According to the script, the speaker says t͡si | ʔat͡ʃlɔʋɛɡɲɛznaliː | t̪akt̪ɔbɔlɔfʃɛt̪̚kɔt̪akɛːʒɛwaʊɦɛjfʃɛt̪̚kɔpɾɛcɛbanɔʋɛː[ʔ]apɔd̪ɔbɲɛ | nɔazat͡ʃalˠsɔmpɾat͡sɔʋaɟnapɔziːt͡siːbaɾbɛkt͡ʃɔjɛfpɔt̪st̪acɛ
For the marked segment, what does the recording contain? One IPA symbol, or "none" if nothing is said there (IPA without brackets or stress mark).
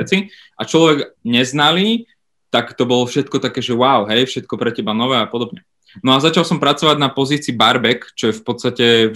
none